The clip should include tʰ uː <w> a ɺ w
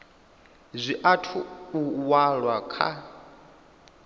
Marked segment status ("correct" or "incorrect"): correct